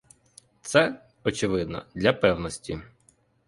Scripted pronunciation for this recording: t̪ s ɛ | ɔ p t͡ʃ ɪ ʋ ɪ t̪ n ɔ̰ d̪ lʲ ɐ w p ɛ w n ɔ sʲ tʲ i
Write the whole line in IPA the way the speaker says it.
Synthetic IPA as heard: t̪ s ɛ | ɔ t͡ʃ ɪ ʋ ɪ d̪ n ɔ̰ d̪ lʲ ɐ p ɛ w n ɔ sʲ tʲ i